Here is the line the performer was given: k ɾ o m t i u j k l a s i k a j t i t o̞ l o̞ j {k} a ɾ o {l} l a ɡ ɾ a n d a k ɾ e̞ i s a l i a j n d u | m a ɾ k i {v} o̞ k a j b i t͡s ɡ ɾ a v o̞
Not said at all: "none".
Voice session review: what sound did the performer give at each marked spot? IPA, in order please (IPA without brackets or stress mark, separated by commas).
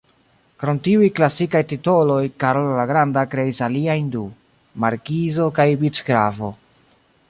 k, l, z